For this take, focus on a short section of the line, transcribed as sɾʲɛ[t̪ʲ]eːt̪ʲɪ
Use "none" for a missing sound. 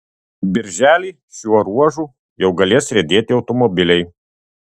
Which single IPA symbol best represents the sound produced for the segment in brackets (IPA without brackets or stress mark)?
d̪ʲ